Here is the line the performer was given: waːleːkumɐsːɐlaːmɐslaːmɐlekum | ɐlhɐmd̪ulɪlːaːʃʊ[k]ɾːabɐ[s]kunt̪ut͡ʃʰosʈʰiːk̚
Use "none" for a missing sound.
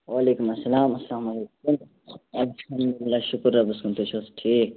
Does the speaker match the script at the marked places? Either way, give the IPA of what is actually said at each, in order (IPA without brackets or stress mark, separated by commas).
k, s